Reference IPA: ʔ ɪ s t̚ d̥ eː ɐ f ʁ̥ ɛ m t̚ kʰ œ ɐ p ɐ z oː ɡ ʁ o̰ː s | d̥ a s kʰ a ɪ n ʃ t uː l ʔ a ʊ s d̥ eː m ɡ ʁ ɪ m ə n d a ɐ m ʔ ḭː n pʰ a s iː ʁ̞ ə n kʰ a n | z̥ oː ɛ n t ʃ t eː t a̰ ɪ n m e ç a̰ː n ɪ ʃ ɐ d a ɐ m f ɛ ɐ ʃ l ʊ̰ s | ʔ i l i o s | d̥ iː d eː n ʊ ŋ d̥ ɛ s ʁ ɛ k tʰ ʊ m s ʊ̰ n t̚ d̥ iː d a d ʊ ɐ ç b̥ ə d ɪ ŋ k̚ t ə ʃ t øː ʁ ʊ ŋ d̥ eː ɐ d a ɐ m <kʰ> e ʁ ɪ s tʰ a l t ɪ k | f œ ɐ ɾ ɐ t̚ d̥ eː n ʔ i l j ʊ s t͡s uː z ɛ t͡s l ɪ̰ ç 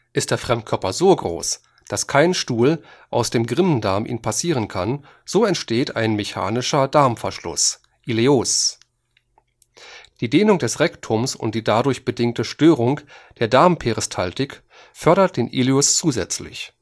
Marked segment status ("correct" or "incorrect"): incorrect